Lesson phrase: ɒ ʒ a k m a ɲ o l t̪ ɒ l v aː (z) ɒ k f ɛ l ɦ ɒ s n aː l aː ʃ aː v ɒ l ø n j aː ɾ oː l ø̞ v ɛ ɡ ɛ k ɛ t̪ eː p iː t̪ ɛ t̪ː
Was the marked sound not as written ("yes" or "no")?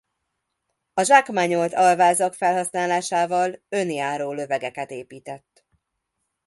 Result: no